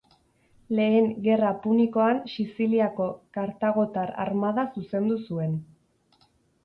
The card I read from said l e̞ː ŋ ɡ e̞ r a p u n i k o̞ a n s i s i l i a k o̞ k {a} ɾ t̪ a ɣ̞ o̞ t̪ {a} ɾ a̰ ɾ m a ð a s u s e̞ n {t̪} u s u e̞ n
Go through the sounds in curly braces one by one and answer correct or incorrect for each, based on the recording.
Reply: correct, correct, incorrect: d̪

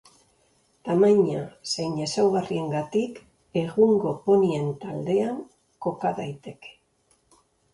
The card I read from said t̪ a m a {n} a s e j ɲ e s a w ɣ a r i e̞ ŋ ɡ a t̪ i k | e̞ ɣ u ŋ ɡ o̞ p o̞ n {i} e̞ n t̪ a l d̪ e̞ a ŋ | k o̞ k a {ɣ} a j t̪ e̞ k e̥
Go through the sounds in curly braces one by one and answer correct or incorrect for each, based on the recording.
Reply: incorrect: ɲ, correct, incorrect: ð

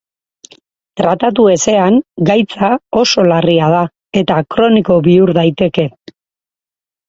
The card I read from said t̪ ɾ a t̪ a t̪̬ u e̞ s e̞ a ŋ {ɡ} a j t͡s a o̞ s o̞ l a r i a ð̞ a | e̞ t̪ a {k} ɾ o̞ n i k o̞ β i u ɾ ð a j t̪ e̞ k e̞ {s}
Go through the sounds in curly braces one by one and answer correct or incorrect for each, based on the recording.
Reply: correct, correct, incorrect: none

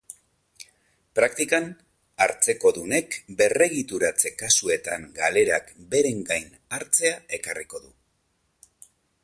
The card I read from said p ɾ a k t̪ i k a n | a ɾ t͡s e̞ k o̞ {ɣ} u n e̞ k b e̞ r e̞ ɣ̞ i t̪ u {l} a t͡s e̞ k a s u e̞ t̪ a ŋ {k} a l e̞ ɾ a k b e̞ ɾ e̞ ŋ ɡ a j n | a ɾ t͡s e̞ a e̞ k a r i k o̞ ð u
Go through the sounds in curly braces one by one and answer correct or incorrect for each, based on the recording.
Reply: incorrect: ð, incorrect: ɾ, incorrect: ɡ

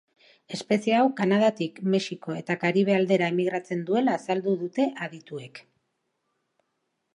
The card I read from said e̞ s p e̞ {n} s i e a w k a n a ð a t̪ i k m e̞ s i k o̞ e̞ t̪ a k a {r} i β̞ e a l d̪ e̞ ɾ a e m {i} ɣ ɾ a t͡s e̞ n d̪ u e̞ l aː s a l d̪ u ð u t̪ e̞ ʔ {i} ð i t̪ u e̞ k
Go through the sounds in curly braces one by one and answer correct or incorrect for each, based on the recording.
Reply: incorrect: none, incorrect: ɾ, correct, incorrect: a

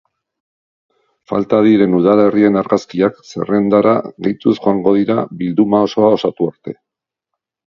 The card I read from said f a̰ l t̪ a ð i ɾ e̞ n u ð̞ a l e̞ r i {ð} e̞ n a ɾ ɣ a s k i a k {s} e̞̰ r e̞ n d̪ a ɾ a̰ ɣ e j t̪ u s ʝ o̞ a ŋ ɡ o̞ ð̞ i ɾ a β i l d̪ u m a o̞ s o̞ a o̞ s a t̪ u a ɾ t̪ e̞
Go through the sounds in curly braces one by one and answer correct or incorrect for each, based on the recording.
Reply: incorrect: none, correct

